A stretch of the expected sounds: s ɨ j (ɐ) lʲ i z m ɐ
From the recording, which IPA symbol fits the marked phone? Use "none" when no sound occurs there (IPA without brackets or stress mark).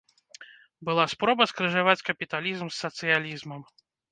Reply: a